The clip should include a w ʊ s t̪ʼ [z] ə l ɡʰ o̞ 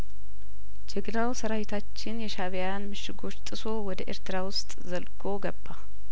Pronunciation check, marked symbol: correct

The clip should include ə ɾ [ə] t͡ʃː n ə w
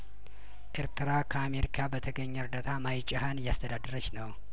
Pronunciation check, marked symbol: correct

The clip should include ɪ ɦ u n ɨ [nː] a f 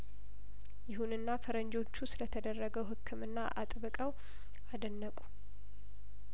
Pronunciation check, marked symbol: correct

